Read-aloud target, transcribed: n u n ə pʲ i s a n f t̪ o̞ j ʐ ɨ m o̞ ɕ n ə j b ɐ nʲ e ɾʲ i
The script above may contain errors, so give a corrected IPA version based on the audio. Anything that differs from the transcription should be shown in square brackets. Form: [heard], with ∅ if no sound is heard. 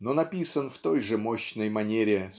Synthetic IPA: n [o] n [ɐ] pʲ i s [ə] n f t̪ o̞ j ʐ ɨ m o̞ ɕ n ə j [m] ɐ nʲ e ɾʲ [ɪ]